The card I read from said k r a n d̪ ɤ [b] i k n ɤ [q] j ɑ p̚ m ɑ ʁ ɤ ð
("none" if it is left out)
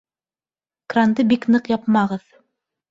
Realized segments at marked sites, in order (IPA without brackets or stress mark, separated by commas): b, q